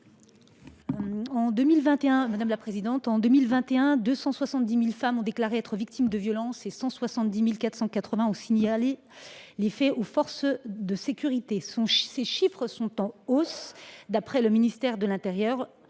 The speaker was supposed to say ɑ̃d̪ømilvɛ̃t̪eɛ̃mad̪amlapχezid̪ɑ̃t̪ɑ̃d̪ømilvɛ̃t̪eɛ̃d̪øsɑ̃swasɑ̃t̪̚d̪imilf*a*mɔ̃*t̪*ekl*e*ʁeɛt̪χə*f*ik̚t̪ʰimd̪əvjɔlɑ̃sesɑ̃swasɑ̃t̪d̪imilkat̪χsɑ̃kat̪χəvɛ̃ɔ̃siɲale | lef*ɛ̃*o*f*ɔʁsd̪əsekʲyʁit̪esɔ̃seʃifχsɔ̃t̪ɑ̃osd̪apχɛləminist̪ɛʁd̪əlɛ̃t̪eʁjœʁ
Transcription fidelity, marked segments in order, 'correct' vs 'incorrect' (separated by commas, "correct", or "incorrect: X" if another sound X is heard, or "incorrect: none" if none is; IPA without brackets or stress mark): correct, incorrect: d̪, incorrect: a, incorrect: v, incorrect: ɛ, correct